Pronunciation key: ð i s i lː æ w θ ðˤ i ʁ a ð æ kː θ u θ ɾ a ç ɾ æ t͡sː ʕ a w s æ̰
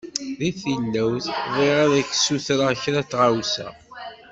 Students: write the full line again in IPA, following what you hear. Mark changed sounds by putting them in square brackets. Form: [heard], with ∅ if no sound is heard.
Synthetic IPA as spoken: ð i [θ] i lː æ w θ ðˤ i ʁ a ð æ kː [s] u θ ɾ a ç ɾ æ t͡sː [ʁ] a w s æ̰